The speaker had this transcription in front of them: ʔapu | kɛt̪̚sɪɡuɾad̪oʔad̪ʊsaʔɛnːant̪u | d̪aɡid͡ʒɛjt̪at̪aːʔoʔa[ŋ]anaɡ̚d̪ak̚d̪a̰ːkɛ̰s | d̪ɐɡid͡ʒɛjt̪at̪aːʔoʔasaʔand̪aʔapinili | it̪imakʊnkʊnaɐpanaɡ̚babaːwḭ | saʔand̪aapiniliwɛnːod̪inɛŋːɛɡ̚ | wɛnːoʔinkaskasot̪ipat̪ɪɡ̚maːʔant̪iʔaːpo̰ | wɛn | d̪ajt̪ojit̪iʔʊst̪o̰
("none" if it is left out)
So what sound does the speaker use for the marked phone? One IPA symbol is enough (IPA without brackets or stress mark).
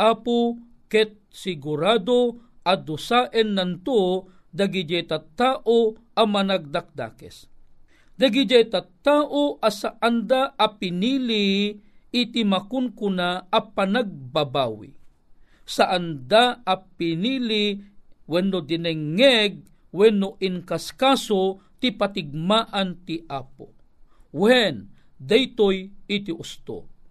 m